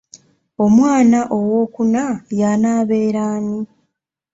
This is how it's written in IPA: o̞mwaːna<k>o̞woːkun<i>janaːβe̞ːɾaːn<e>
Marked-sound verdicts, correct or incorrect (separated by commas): incorrect, incorrect, incorrect